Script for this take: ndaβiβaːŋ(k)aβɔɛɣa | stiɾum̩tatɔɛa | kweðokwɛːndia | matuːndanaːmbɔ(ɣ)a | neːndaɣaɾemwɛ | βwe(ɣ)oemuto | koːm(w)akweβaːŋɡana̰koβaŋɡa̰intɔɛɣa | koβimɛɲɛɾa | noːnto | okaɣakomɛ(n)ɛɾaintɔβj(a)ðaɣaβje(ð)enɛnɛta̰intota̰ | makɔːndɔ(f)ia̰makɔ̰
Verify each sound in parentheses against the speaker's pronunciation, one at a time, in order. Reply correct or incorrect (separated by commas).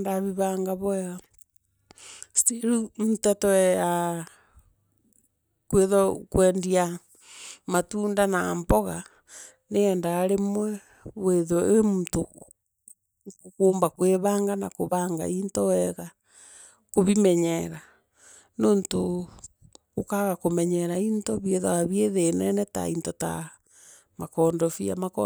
incorrect, correct, incorrect, incorrect, incorrect, incorrect, correct, correct